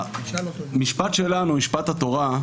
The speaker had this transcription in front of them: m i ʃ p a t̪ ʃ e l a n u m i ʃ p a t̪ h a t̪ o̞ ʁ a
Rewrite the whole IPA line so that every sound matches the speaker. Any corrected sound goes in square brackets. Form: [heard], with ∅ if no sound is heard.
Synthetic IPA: m i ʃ p a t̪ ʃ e l a n u m i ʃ p a t̪ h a t̪ o̞ ʁ a